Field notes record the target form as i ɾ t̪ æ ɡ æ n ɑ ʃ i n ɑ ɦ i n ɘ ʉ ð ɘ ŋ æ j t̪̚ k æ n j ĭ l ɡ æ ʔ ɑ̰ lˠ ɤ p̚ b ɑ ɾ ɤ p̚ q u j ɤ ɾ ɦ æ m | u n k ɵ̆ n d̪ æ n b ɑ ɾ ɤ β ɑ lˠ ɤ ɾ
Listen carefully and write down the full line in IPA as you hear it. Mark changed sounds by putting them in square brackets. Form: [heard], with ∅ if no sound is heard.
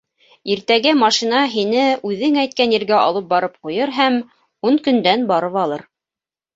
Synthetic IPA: i ɾ t̪ æ ɡ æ [m] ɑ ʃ i n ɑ ɦ i n ɘ ʉ ð ɘ ŋ æ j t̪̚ k æ n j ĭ [ɾ] ɡ æ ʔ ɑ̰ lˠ ɤ p̚ b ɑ ɾ ɤ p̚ q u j ɤ ɾ ɦ æ m | u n k ɵ̆ n d̪ æ n b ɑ ɾ ɤ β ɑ lˠ ɤ ɾ